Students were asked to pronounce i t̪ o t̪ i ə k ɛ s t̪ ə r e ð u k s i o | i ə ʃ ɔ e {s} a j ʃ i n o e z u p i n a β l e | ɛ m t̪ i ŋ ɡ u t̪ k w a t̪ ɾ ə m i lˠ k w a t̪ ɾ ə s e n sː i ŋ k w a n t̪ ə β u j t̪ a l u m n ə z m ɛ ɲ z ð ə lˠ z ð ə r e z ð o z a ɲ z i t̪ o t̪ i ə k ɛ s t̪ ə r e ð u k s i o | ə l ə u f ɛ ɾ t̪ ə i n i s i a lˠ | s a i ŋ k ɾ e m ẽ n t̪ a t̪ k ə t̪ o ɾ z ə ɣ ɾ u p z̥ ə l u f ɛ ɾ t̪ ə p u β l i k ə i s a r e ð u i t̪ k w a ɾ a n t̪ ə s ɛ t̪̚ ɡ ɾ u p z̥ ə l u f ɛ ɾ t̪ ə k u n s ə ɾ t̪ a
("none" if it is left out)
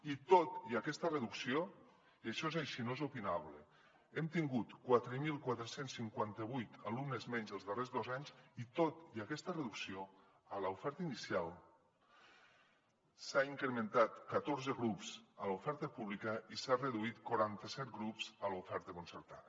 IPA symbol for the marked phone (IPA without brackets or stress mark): z